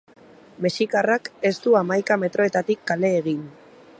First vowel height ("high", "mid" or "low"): mid